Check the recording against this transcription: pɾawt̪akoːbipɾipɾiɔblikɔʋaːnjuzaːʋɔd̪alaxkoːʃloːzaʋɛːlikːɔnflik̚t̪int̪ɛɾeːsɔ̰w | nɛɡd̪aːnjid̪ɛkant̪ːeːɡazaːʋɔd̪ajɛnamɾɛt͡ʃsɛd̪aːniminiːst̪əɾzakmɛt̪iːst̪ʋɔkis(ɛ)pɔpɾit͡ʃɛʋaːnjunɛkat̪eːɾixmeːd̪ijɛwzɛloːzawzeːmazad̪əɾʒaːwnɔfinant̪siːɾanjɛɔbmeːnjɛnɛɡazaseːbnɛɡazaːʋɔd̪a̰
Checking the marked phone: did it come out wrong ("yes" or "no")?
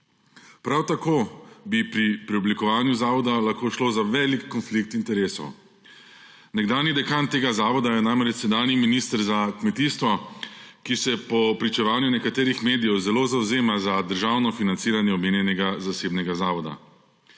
no